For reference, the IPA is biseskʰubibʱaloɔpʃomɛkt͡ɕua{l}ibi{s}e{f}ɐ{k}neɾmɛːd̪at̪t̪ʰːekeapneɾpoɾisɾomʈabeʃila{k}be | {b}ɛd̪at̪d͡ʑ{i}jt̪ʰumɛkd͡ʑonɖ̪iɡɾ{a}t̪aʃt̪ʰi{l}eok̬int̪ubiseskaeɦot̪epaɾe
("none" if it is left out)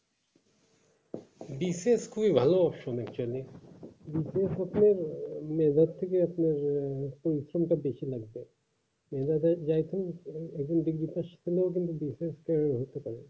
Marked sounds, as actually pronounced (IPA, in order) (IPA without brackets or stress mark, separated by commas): l, s, s, p, ɡ, m, a, i, l